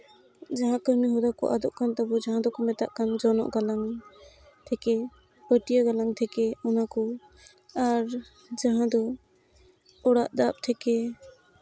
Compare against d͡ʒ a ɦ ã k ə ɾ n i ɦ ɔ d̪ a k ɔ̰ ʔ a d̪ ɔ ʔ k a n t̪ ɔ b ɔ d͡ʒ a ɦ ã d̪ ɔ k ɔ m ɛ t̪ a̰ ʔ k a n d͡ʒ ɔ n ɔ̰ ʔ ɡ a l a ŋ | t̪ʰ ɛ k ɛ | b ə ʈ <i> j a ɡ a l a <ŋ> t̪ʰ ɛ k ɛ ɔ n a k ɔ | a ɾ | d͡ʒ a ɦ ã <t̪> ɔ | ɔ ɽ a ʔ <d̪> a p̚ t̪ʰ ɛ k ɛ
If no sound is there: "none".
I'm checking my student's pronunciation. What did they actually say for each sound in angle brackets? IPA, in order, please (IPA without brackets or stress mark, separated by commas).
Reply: i, ŋ, d̪, d̪